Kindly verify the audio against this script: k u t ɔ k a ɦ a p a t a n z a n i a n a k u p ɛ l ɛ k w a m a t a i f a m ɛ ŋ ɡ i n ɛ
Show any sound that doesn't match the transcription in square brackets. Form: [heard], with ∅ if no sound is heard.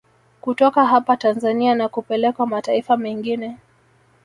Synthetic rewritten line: k u t ɔ k a ɦ a p a t a n z a n i a n a k u p ɛ l ɛ k w a m a t a i f a m ɛ ŋ ɡ i n ɛ